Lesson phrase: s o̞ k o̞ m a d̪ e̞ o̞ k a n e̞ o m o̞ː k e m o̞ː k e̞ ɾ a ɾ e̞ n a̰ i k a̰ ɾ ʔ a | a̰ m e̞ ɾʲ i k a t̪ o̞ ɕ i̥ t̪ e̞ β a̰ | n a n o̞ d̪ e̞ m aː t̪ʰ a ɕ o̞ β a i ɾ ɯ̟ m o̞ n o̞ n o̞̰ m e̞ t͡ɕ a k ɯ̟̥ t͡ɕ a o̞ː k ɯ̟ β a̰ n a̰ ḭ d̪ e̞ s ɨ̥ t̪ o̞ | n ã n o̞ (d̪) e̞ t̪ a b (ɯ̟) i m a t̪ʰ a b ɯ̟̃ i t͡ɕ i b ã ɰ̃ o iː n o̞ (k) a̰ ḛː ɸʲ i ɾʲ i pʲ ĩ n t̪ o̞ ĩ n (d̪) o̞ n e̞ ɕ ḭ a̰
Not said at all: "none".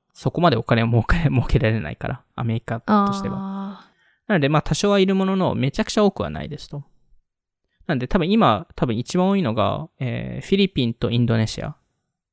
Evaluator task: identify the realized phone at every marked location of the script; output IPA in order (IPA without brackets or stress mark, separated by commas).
d̪, ɯ̟̃, ɡ, d̪